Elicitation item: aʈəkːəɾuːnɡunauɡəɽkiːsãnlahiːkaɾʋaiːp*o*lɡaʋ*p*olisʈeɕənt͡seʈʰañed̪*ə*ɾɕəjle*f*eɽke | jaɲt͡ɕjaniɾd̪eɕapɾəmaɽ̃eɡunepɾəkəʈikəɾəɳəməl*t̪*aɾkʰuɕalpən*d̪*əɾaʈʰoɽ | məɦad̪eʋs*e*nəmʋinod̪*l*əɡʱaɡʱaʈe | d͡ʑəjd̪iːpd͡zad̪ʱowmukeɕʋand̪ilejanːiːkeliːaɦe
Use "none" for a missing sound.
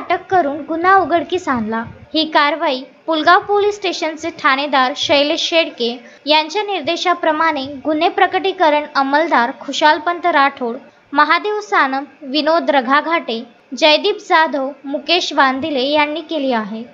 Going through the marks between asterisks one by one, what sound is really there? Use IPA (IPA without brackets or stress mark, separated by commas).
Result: u, p, a, ɕ, d̪, t̪, a, ɾ